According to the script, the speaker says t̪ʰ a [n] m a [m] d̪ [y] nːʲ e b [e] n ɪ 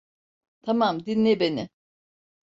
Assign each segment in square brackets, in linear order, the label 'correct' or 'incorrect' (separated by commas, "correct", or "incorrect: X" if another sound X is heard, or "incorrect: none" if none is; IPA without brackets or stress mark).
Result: incorrect: none, correct, incorrect: i, correct